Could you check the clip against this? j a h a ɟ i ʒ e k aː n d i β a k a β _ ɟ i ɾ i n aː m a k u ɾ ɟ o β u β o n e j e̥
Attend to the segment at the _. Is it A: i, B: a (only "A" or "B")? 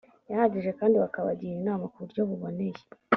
B